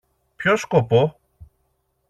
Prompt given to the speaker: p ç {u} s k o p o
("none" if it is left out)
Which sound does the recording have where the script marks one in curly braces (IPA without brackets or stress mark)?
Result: o